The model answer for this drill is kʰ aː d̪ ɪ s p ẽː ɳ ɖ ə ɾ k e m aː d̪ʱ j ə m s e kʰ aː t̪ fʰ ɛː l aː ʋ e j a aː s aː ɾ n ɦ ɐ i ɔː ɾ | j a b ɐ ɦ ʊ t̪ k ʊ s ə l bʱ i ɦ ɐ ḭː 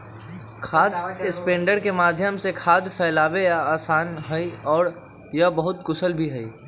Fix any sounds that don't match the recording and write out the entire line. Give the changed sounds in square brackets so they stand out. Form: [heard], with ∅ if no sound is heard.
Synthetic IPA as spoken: kʰ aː d̪ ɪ s p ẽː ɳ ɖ ə ɾ k e m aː d̪ʱ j ə m s e kʰ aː [d̪] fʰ ɛː l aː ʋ e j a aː s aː [∅] n ɦ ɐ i ɔː ɾ | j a b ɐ ɦ ʊ t̪ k ʊ s ə l bʱ i ɦ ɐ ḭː